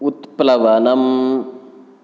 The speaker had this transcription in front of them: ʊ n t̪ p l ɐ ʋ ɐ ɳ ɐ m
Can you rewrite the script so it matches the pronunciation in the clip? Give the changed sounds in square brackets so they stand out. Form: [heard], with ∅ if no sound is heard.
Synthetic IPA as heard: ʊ [∅] t̪ p l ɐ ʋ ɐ [n] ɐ m